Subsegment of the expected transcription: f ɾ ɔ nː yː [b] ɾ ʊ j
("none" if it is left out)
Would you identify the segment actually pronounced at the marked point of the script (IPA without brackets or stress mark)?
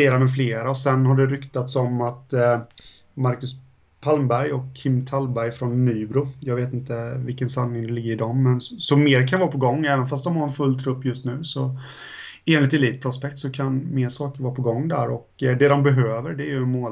b